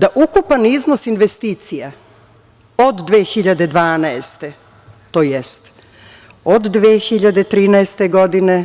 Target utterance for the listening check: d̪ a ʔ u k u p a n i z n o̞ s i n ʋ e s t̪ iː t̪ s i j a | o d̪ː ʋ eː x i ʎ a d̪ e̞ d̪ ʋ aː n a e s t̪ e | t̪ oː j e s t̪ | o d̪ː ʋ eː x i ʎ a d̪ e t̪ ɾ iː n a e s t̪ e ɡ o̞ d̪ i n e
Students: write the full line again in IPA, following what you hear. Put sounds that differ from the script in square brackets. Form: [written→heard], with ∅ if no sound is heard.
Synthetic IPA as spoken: d̪ a ʔ u k u p a n i z n o̞ s i n ʋ e s t̪ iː t̪ s i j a | o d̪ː ʋ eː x i ʎ a d̪ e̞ d̪ ʋ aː n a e s t̪ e | t̪ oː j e s t̪ | o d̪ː ʋ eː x i ʎ a d̪ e t̪ ɾ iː n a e s t̪ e ɡ o̞ d̪ i n e

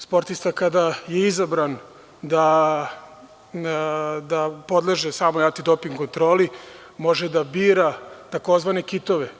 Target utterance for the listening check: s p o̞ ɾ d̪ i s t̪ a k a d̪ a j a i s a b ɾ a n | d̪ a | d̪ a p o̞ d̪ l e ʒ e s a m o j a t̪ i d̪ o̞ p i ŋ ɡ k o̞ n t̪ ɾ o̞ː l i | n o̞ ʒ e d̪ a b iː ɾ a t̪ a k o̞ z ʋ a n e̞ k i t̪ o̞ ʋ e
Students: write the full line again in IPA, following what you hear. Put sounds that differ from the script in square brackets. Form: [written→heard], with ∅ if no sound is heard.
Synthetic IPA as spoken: s p o̞ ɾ [d̪→t̪] i s t̪ a k a d̪ a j [a→e] i [s→z] a b ɾ a n | d̪ a | d̪ a p o̞ d̪ l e ʒ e s a m o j a t̪ i d̪ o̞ p i ŋ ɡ k o̞ n t̪ ɾ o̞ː l i | [n→m] o̞ ʒ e d̪ a b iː ɾ a t̪ a k o̞ z ʋ a n e̞ k i t̪ o̞ ʋ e

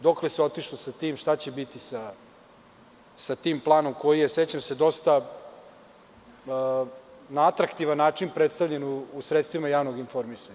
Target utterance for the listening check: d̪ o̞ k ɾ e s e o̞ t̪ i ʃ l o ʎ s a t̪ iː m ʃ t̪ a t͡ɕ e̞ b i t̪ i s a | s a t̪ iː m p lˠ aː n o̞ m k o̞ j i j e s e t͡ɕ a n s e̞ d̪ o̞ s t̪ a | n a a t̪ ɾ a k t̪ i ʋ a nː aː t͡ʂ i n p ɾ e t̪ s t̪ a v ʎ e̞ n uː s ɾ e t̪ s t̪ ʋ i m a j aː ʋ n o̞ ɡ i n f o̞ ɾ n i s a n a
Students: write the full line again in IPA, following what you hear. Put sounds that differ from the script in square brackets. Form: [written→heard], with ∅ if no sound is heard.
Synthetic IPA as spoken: d̪ o̞ k [ɾ→l] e s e o̞ t̪ i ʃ l o [ʎ→∅] s a t̪ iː m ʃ t̪ a t͡ɕ e̞ b i t̪ i s a | s a t̪ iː m p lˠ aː n o̞ m k o̞ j i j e s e t͡ɕ a [n→m] s e̞ d̪ o̞ s t̪ a | n a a t̪ ɾ a k t̪ i ʋ a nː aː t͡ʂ i n p ɾ e t̪ s t̪ a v ʎ e̞ n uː s ɾ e t̪ s t̪ ʋ i m a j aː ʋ n o̞ ɡ i n f o̞ ɾ [n→m] i s a [n→ɲ] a

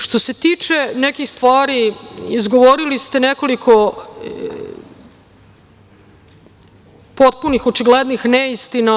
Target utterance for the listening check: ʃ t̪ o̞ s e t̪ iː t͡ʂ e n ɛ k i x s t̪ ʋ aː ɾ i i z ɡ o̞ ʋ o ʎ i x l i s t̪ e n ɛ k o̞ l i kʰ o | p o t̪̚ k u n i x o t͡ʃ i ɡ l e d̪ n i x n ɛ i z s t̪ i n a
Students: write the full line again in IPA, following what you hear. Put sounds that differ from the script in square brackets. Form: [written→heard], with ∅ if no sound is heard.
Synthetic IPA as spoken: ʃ t̪ o̞ s e t̪ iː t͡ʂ e n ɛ k i x s t̪ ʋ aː ɾ i i z ɡ o̞ ʋ o [ʎ→ɾ] i [x→∅] l i s t̪ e n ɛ k o̞ l i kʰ o | p o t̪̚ [k→p] u n i x o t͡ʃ i ɡ l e d̪ n i x n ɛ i [z→∅] s t̪ i n a

